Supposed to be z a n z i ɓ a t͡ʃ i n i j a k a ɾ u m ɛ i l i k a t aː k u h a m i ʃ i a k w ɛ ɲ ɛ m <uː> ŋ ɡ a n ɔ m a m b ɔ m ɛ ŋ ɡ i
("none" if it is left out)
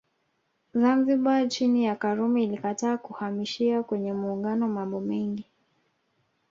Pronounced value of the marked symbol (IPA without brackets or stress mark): uː